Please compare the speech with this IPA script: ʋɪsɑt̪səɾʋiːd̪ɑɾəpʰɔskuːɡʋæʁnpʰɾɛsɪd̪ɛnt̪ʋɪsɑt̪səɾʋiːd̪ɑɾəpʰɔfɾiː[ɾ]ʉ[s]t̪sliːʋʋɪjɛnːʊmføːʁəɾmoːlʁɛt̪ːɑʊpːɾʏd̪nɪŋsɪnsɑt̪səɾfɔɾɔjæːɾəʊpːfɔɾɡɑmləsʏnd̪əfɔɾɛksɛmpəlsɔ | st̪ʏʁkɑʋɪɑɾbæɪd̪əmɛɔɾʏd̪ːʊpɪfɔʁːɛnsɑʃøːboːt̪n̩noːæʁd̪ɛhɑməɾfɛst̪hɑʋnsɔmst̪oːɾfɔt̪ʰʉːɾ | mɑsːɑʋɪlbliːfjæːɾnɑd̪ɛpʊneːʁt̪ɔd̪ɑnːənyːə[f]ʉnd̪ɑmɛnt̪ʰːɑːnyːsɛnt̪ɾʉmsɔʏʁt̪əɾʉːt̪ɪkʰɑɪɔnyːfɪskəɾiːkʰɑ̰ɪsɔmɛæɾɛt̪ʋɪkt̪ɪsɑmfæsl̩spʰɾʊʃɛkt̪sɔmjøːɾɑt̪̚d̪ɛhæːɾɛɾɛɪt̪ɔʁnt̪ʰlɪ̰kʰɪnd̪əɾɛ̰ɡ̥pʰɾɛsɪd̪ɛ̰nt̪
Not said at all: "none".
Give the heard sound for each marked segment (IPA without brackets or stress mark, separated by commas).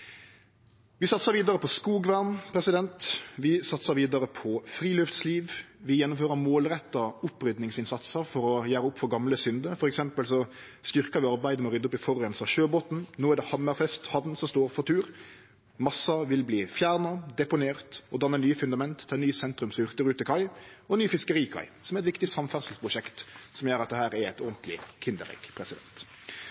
l, f, f